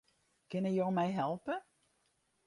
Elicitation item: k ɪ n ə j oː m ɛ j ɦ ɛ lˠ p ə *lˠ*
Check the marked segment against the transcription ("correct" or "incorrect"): incorrect